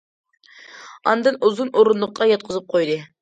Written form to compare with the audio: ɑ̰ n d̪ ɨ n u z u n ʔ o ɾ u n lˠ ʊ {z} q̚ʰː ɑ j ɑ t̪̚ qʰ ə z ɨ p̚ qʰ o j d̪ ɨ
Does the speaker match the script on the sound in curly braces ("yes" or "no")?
no